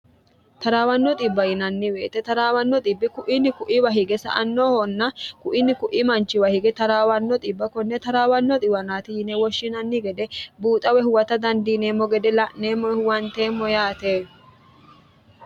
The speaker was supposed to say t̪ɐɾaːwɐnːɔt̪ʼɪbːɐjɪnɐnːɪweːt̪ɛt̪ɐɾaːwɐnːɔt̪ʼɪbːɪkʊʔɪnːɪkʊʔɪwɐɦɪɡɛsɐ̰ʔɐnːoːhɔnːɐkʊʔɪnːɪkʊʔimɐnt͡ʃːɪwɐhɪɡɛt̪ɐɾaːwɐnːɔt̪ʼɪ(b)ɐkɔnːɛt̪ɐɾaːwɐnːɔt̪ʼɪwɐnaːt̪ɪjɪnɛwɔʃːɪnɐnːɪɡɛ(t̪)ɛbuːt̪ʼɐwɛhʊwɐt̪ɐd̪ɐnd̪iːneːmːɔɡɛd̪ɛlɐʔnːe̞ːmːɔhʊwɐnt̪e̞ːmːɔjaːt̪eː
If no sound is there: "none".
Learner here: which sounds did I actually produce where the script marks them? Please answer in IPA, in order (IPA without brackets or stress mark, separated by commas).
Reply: bː, d̪